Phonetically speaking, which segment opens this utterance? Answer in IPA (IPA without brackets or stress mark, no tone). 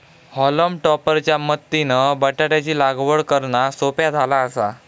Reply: h